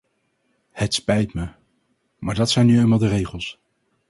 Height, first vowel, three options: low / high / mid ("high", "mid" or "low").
mid